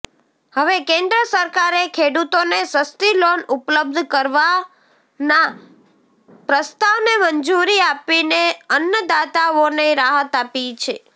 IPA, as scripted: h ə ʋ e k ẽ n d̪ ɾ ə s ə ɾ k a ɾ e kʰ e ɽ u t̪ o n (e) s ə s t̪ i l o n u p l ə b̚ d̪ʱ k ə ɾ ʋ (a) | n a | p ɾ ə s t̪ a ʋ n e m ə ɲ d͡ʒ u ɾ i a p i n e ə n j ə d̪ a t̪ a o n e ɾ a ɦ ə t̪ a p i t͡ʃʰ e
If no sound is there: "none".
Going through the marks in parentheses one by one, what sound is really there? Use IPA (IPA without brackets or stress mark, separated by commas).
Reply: e, a